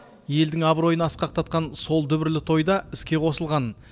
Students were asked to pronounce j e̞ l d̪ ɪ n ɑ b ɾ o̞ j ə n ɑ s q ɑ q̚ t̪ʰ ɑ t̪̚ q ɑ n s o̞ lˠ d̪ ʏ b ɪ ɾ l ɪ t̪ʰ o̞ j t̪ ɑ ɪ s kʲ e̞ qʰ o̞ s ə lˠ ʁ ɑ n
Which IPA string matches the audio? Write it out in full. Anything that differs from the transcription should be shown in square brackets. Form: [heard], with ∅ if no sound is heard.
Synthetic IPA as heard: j e̞ l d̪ ɪ [ŋ] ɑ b ɾ o̞ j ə n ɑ s q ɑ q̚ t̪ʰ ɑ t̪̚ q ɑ n s o̞ lˠ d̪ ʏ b ɪ ɾ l ɪ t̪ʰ o̞ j [d̪] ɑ ɪ s kʲ e̞ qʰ o̞ s ə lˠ ʁ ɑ n